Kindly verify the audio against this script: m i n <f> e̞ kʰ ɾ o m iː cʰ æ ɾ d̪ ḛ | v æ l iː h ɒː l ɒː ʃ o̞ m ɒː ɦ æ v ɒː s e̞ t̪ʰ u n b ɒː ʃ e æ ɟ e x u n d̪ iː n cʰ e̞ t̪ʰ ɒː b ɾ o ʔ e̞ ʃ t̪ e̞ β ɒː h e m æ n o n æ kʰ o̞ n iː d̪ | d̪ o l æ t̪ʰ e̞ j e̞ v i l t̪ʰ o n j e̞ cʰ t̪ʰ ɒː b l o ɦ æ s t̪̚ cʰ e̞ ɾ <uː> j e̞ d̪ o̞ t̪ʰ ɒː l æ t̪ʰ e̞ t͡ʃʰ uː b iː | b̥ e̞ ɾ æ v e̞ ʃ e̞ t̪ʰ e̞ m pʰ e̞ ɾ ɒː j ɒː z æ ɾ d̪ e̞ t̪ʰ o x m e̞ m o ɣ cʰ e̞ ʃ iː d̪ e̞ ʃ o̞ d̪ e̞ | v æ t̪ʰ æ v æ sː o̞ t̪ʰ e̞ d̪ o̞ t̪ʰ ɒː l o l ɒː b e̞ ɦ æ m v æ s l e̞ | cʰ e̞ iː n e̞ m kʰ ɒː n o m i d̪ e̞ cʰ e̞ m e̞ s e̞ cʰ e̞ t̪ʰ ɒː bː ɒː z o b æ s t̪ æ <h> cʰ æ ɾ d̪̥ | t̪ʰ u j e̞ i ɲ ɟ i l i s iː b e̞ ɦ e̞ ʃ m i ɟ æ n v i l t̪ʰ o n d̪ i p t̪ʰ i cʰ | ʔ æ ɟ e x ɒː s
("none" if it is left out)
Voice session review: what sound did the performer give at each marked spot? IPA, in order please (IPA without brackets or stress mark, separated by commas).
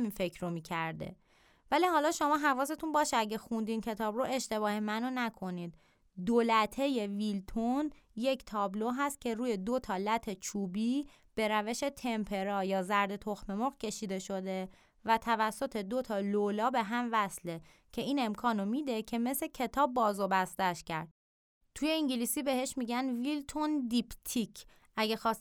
f, uː, ʃ